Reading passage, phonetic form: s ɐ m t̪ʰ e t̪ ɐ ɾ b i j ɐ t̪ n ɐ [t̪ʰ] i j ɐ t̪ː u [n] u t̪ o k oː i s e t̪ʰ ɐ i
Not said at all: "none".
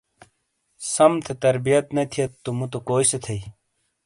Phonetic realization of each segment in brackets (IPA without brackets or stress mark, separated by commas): t̪ʰ, m